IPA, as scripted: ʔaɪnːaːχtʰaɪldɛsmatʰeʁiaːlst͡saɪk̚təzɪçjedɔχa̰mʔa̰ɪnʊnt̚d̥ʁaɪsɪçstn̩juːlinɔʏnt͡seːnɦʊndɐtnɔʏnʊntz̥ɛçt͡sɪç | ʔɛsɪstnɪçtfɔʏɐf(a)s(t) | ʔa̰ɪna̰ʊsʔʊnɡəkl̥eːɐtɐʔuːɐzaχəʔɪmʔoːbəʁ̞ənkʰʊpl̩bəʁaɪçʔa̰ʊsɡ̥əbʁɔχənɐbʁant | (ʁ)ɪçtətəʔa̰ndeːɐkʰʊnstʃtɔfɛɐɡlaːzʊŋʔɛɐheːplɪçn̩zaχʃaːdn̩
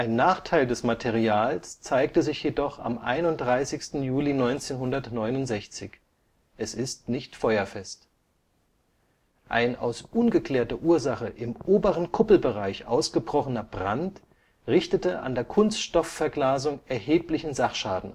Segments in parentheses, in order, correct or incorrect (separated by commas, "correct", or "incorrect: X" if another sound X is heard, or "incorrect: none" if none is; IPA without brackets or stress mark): incorrect: ɛ, correct, correct